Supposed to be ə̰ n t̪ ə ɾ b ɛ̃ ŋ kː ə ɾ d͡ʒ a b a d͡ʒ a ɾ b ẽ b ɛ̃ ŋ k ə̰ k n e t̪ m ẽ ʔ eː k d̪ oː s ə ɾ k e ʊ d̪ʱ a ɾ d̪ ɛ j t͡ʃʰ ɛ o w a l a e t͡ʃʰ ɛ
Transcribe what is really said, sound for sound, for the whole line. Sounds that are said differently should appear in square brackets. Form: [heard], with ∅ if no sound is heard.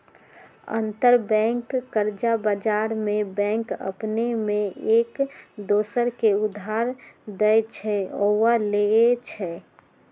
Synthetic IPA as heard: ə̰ n t̪ ə ɾ b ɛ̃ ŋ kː ə ɾ d͡ʒ a b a d͡ʒ a ɾ [m] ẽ b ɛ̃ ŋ k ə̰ [p] n e [∅] m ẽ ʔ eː k d̪ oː s ə ɾ k e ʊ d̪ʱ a ɾ d̪ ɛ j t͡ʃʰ ɛ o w a l [e] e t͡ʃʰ ɛ